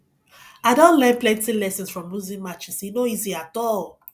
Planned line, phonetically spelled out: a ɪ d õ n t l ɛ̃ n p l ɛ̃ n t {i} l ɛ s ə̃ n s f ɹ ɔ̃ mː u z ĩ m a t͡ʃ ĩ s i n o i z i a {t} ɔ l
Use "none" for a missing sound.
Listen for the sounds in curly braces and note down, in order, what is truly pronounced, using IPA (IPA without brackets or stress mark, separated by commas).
i, t